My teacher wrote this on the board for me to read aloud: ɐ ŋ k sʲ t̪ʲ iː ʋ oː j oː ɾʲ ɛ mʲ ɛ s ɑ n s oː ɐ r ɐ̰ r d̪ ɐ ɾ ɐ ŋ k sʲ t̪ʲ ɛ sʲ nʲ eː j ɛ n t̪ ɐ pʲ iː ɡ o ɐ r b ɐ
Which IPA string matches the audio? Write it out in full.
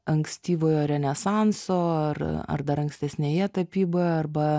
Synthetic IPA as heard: ɐ ŋ k sʲ t̪ʲ iː ʋ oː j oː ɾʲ ɛ nʲ ɛ s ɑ n s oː ɐ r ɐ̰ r d̪ ɐ ɾ ɐ ŋ k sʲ t̪ʲ ɛ sʲ nʲ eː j ɛ t̪ ɐ pʲ iː b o ɐ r b ɐ